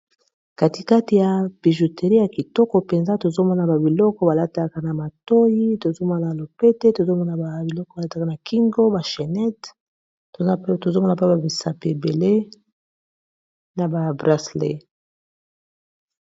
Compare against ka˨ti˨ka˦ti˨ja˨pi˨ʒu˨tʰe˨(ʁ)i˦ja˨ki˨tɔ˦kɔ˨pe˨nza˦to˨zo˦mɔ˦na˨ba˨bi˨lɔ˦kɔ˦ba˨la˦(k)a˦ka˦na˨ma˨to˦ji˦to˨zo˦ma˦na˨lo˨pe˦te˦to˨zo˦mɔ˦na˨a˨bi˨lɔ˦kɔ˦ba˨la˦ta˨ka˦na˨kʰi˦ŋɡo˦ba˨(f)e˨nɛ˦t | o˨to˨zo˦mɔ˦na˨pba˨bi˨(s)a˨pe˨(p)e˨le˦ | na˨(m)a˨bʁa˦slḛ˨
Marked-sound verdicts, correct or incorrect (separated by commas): correct, incorrect, incorrect, correct, incorrect, incorrect